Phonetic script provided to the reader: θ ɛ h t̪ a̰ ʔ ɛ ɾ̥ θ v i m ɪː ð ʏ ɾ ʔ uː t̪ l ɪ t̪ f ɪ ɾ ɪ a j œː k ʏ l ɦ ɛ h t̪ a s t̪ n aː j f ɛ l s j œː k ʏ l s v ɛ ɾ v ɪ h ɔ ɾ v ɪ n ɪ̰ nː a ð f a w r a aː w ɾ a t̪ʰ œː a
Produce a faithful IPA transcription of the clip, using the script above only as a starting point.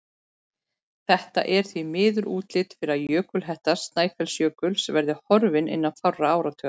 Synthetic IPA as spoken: θ ɛ h t̪ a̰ ʔ ɛ ɾ̥ θ v i m ɪː ð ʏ ɾ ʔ uː t̪ l ɪ t̪ f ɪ ɾ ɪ a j œː k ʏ l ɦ ɛ h t̪ a s t̪ n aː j f ɛ l s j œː k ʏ l s v ɛ ɾ ð ɪ h ɔ ɾ v ɪ n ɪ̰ nː a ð f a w r a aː w ɾ a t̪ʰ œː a